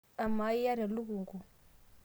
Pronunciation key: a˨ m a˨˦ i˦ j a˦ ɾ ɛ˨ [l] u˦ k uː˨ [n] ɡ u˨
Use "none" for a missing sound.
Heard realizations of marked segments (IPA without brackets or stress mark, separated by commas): l, ŋ